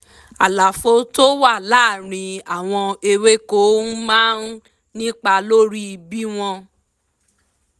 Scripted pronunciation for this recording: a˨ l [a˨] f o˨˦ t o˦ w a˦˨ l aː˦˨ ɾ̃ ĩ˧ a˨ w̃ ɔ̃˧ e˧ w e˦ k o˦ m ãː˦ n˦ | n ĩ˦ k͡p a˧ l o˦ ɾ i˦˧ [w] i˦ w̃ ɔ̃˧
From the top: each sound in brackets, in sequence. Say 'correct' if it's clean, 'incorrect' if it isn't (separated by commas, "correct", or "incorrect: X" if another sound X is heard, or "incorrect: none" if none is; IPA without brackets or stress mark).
correct, incorrect: b